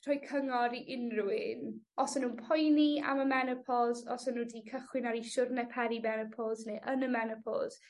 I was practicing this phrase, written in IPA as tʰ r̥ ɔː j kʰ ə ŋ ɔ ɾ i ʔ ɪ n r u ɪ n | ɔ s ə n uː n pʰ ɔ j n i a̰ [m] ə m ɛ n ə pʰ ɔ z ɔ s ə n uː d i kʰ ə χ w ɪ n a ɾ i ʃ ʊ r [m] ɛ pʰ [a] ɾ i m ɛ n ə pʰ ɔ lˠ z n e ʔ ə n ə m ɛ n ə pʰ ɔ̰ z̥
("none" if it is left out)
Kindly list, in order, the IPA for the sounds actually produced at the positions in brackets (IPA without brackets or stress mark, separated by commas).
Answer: m, n, ɛ